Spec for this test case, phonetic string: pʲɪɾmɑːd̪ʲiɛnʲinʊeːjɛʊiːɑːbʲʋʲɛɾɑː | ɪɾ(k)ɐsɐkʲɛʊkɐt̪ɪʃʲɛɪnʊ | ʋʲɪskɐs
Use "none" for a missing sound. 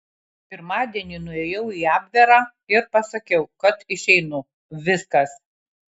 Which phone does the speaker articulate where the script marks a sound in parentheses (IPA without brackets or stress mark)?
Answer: p